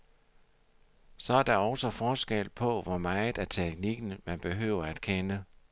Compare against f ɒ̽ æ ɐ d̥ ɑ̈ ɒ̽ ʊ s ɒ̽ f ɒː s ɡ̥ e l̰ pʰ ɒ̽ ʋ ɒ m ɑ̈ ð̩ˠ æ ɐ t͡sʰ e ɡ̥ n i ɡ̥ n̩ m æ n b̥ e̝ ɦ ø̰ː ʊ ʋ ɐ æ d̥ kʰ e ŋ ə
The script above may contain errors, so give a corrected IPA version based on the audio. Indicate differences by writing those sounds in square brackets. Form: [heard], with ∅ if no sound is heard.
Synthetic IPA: [s] ɒ̽ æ ɐ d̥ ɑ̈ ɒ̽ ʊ s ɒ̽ f ɒː s ɡ̥ e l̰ pʰ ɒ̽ ʋ ɒ m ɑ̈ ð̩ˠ æ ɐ t͡sʰ e ɡ̥ n i ɡ̥ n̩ m æ n b̥ e̝ ɦ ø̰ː ʊ [∅] ɐ æ d̥ kʰ e [n] ə